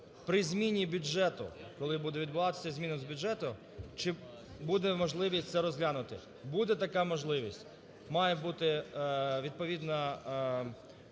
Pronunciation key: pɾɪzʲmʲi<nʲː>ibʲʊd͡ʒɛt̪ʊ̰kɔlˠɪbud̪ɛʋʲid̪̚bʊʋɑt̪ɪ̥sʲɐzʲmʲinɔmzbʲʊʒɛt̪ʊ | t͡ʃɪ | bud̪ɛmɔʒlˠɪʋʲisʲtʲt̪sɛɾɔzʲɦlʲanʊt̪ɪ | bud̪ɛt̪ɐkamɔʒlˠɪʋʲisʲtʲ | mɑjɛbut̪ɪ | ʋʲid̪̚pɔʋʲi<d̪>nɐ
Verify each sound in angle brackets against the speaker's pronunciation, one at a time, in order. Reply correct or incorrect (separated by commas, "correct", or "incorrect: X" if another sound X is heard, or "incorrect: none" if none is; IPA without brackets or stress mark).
incorrect: nʲ, correct